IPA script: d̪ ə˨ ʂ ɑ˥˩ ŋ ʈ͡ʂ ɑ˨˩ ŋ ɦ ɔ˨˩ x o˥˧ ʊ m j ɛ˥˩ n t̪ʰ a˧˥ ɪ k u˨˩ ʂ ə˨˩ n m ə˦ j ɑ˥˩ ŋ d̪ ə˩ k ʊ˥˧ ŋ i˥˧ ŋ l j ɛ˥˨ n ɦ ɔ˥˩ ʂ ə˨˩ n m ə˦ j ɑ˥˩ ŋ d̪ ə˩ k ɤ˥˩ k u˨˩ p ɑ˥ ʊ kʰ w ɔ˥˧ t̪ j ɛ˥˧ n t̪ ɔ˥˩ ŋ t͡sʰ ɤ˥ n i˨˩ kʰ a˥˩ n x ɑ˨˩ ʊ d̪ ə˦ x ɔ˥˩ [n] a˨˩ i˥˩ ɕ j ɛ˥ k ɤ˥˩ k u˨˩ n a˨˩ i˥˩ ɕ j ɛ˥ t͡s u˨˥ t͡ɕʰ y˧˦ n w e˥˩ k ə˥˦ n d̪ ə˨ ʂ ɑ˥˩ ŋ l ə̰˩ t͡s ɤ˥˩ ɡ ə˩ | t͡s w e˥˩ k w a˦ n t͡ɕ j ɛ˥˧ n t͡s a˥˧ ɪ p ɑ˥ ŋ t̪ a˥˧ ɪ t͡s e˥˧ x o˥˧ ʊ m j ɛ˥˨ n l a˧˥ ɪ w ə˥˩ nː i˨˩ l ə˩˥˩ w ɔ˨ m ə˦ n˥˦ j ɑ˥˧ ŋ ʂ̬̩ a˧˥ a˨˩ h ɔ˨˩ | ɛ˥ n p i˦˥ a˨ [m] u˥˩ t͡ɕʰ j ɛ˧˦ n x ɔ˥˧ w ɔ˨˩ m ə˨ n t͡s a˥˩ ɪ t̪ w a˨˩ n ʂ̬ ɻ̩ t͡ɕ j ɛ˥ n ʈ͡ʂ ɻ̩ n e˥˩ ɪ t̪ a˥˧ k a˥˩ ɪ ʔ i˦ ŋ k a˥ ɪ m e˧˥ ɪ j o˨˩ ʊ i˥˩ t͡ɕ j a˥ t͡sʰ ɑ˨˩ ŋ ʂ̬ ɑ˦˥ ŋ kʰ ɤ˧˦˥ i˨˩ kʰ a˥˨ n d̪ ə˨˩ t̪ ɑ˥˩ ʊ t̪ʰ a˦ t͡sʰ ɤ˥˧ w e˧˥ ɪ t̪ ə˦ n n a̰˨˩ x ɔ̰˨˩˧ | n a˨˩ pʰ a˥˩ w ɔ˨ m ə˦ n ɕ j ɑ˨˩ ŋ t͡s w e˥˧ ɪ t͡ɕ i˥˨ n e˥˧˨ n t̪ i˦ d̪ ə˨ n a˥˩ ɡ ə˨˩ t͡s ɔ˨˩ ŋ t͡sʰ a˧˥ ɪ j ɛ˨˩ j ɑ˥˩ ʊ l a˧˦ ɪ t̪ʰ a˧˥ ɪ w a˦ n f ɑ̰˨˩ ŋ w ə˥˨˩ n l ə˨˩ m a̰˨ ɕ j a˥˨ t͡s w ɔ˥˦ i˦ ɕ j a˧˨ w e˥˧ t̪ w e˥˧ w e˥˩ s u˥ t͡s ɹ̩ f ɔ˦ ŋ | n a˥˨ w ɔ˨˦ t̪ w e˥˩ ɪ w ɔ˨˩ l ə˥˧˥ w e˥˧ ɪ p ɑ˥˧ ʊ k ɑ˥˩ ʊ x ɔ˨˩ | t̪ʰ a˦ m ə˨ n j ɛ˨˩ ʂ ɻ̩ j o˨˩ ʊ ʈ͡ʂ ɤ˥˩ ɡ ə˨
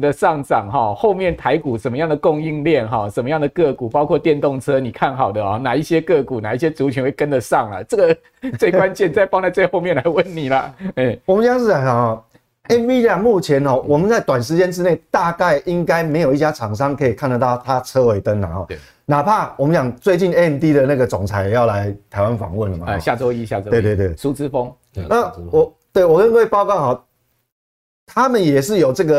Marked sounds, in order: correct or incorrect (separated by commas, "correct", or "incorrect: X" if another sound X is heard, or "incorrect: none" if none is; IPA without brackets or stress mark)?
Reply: correct, correct